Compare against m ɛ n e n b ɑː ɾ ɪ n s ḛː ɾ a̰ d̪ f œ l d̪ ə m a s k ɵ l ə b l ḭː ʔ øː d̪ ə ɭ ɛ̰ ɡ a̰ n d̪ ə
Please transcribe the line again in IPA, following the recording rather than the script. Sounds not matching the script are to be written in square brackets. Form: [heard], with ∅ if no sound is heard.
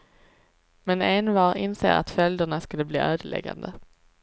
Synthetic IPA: m ɛ n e n [v] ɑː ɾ ɪ n s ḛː ɾ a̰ [t̪] f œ l d̪ ə [ɳ] a s k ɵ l ə b l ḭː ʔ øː d̪ ə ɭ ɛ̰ ɡ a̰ n d̪ ə